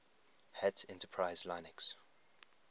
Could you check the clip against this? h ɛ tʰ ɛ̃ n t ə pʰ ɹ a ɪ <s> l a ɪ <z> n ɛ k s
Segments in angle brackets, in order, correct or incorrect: incorrect: z, incorrect: none

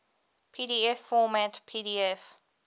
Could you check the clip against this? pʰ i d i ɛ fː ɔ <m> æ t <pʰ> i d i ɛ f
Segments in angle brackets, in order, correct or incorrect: correct, correct

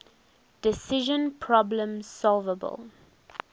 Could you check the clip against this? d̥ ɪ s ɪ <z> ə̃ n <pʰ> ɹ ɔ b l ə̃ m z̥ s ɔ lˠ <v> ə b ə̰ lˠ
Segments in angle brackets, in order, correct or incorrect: incorrect: ʒ, correct, correct

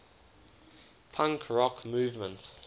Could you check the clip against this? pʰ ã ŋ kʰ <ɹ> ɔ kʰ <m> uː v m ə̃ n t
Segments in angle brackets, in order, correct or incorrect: correct, correct

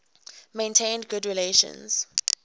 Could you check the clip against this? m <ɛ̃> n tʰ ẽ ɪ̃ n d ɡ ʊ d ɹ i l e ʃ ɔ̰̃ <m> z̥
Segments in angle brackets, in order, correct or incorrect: incorrect: ẽ, incorrect: n

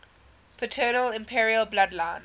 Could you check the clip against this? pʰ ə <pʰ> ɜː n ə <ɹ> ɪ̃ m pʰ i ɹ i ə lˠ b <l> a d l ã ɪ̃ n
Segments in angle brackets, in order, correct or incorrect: incorrect: tʰ, incorrect: l, correct

